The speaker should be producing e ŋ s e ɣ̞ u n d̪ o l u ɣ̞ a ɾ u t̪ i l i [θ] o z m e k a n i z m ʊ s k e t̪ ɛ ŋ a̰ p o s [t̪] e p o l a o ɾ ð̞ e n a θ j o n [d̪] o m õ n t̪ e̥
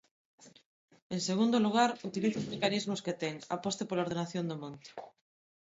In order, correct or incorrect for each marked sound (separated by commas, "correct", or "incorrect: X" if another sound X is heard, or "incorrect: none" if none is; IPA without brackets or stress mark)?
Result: correct, correct, correct